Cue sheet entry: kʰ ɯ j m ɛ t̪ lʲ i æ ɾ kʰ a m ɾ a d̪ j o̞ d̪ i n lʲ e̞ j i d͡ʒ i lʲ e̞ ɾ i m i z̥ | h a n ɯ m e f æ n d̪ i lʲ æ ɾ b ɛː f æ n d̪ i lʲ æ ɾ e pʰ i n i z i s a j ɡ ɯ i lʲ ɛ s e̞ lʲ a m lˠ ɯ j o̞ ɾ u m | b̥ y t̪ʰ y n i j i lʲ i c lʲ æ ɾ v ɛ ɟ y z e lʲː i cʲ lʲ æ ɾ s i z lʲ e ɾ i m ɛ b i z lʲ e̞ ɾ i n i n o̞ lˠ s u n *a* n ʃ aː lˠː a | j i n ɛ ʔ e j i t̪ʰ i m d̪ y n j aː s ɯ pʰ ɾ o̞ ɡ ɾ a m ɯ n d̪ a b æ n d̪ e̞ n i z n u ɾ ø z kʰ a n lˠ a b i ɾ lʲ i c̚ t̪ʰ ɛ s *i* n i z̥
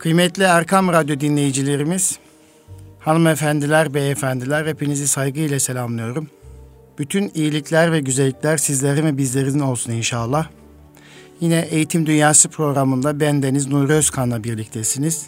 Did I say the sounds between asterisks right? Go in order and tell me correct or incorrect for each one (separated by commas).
incorrect, correct